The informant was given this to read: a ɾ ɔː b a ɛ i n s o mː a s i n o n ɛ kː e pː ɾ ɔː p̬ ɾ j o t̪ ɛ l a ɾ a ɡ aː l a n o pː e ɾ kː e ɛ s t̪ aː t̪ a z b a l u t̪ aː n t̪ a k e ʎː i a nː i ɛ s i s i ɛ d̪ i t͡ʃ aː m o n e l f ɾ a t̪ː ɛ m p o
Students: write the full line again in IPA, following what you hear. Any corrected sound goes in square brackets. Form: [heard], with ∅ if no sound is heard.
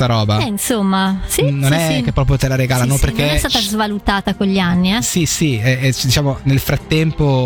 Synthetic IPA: a ɾ ɔː b a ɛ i n s o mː a s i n o n ɛ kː e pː ɾ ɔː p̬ ɾ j o t̪ [e] l a ɾ [e] ɡ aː l a n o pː e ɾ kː e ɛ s t̪ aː t̪ a z [v] a l u t̪ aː [∅] t̪ a k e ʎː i a nː i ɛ s i s i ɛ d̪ i t͡ʃ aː m o n e l f ɾ a t̪ː ɛ m p o